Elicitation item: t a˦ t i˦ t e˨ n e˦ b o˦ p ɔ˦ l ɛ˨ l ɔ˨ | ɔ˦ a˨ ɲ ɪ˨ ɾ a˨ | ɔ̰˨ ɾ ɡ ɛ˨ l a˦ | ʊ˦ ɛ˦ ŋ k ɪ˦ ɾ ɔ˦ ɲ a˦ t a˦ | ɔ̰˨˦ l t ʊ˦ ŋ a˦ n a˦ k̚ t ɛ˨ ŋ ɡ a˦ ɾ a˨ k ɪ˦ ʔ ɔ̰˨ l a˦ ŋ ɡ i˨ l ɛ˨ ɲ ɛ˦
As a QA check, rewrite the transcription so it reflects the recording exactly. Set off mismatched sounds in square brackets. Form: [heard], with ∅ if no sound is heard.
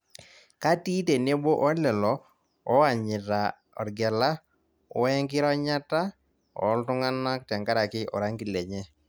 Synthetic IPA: [k] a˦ t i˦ t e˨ n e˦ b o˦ [ʔ] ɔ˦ l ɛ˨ l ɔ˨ | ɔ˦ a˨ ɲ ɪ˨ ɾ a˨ | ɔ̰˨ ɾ ɡ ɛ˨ l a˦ | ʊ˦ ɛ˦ ŋ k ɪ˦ ɾ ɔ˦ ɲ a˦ t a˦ | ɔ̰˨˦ l t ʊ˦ ŋ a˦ n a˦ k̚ t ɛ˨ ŋ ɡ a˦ ɾ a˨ k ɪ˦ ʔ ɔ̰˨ [ɾ] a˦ ŋ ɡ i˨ l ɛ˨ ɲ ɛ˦